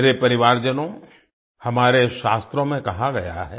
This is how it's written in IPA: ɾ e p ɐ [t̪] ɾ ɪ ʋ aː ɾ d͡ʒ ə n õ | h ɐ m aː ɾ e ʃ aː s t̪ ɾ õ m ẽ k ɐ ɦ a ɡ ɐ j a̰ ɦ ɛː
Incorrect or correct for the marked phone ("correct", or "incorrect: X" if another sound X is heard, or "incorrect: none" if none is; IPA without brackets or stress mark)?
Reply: incorrect: none